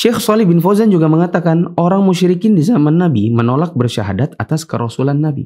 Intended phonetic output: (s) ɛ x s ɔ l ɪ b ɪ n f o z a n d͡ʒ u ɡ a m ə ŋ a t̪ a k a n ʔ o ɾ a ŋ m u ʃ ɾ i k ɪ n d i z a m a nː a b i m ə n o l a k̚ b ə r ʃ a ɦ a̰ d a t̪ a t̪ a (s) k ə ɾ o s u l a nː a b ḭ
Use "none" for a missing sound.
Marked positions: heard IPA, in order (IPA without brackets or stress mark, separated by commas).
ʃ, s